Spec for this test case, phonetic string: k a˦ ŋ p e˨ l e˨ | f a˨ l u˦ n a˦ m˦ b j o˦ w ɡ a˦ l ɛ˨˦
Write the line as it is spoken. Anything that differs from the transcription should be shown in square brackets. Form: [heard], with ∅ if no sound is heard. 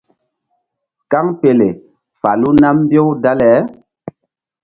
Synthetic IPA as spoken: k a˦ ŋ p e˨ l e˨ | f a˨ l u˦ n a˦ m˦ b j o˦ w [d] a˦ l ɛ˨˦

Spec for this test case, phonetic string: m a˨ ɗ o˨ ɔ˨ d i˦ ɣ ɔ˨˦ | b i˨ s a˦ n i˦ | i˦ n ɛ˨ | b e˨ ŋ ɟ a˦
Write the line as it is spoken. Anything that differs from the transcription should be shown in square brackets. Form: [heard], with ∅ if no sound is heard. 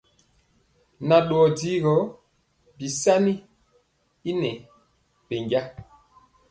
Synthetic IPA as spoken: [n] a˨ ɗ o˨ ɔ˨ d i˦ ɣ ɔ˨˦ | b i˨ s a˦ n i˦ | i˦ n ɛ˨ | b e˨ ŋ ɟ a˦

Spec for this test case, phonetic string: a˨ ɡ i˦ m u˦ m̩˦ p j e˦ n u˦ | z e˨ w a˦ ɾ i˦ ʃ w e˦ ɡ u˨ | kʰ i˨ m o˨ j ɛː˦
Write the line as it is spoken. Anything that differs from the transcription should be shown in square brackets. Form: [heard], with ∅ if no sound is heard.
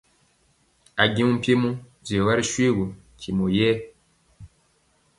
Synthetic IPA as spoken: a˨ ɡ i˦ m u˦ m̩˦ p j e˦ [m] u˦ | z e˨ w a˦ ɾ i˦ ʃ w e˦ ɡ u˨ | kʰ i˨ m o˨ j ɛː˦

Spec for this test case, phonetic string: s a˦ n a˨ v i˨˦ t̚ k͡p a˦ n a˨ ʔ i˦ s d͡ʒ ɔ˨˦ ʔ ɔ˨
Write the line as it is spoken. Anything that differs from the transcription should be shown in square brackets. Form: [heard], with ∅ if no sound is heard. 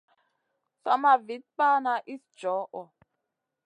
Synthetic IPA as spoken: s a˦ [m] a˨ v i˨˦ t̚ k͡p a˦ n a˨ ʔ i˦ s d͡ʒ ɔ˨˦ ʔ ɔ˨

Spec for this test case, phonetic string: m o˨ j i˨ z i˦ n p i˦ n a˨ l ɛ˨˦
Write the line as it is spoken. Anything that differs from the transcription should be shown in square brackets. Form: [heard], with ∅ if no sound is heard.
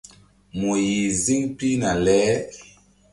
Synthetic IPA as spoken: m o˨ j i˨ z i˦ [ŋ] p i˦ n a˨ l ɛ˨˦

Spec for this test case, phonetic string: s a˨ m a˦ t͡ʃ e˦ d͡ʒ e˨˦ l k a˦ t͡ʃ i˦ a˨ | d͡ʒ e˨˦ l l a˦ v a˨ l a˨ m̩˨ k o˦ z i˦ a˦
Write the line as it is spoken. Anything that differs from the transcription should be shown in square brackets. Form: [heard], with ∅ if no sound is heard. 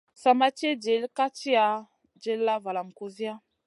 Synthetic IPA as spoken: s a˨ m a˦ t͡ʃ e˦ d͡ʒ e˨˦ l k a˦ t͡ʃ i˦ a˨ | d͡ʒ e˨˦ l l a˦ v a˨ l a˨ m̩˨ k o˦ z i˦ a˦

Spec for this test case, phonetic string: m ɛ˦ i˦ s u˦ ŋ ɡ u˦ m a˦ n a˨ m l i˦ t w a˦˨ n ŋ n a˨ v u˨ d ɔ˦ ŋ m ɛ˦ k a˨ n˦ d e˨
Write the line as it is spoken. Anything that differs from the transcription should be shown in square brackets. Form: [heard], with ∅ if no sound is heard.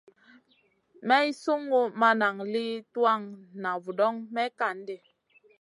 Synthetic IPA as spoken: m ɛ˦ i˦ s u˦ ŋ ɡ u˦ m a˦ n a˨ [ŋ] l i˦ t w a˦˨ [∅] ŋ n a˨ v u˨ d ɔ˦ ŋ m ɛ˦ k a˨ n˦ d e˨

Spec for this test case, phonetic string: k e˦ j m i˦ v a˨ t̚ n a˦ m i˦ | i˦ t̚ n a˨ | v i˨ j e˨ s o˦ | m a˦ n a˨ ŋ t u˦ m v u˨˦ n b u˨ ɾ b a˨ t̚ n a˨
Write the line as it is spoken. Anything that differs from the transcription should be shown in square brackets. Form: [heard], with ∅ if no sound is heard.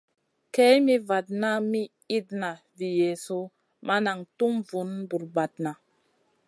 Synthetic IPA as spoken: k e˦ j m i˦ v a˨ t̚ n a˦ m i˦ | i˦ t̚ n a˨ | v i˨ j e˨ s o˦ | m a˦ n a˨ ŋ t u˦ m v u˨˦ n b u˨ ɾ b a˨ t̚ n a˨

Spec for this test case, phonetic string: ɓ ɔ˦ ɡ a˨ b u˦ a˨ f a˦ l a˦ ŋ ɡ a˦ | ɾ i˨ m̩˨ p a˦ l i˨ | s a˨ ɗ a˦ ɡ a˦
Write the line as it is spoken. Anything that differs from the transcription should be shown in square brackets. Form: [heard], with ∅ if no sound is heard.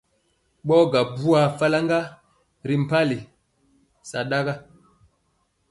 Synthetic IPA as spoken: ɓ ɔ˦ ɡ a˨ b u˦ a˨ f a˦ l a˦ ŋ ɡ a˦ | ɾ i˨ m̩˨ p a˦ l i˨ | s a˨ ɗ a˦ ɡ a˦

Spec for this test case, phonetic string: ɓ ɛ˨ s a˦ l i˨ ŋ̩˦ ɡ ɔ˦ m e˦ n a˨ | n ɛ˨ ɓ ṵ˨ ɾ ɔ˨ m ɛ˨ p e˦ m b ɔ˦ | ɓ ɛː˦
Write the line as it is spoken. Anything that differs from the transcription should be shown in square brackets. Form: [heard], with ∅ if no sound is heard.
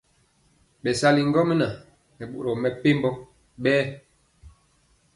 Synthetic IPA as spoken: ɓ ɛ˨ s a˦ l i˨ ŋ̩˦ ɡ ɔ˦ m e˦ n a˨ | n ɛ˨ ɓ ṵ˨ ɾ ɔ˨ m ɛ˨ p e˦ m b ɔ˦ | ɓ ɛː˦

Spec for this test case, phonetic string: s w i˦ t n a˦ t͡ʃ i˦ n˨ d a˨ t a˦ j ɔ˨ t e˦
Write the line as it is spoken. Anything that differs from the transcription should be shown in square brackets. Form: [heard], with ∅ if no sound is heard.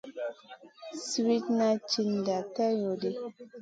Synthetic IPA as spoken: s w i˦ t n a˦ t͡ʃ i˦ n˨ d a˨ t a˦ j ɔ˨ [d] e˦

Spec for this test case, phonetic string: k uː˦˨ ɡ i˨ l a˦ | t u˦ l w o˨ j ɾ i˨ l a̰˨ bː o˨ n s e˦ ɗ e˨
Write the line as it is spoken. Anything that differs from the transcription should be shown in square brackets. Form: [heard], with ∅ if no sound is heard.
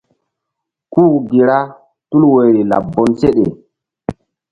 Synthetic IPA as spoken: k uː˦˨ ɡ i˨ [ɾ] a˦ | t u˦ l w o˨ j ɾ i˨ l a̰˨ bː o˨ n s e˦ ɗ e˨

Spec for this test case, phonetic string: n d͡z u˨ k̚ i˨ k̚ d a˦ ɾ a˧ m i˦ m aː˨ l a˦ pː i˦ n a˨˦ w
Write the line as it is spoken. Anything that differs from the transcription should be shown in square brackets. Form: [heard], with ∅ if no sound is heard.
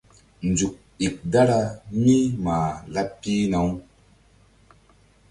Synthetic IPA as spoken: n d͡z u˨ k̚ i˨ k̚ d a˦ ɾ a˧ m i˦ m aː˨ l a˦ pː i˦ n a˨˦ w

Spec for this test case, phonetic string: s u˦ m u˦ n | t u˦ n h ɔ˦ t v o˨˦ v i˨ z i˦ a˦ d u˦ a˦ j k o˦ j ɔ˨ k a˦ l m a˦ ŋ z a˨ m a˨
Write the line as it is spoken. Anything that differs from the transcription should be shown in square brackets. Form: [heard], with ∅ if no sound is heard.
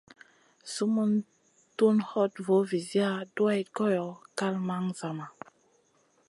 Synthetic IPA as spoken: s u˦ m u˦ n | t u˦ n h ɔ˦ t v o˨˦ v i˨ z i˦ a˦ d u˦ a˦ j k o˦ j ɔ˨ k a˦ l m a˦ ŋ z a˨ m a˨

